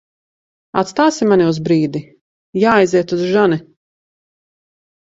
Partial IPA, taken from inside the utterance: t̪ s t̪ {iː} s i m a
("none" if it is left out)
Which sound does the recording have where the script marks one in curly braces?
aː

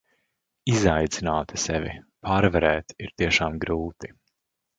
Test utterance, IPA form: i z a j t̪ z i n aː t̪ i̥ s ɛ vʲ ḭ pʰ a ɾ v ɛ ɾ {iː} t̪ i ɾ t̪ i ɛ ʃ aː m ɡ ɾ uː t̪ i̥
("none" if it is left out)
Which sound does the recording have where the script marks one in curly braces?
ɛː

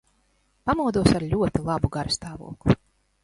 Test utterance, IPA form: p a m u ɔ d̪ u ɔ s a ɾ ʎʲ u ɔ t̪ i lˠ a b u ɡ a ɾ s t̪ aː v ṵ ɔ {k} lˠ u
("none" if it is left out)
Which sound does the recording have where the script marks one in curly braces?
k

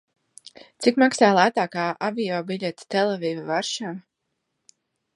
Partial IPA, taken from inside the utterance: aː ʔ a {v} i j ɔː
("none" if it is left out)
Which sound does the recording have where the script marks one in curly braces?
v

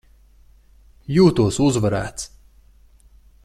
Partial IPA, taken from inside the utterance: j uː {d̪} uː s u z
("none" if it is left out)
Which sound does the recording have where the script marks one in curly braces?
t̪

